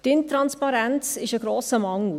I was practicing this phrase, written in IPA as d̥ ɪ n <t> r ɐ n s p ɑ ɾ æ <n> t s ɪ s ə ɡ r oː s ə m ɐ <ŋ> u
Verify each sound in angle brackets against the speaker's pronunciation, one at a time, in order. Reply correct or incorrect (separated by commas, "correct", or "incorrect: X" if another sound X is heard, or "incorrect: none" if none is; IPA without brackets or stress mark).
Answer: correct, correct, correct